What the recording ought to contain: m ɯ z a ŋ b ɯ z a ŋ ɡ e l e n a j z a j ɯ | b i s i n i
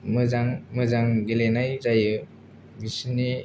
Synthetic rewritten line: m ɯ z a ŋ m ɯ z a ŋ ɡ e l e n a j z a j ɯ | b i s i n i